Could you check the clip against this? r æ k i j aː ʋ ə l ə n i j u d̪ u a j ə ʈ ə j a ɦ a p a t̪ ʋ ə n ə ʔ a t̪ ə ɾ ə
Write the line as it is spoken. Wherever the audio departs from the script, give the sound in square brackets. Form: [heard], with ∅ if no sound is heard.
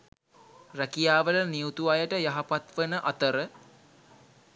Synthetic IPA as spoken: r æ k i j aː ʋ ə l ə n i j u [t̪] u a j ə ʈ ə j a ɦ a p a t̪ ʋ ə n ə ʔ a t̪ ə ɾ ə

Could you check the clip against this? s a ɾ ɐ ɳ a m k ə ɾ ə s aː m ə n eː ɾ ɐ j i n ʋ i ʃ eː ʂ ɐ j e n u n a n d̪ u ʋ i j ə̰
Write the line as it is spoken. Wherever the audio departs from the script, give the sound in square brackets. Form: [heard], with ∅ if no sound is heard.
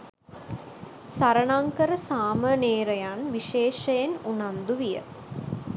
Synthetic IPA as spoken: s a ɾ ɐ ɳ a [ŋ] k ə ɾ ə s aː m ə n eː ɾ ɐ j [a] n ʋ i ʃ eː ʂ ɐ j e n u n a n d̪ u ʋ i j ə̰

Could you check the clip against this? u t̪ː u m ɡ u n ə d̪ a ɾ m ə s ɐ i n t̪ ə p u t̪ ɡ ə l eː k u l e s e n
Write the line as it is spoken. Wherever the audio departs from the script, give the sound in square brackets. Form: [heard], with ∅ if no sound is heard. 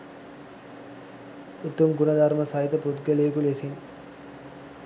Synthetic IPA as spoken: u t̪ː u m ɡ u n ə d̪ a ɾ m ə s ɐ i [∅] t̪ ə p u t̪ ɡ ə l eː k u l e s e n

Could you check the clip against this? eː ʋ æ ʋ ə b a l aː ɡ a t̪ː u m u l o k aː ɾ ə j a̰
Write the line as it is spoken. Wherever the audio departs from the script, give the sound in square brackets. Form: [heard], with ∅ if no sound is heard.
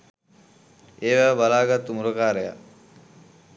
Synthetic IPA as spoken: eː ʋ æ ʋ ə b a l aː ɡ a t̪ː u m u [ɾ] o k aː ɾ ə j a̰

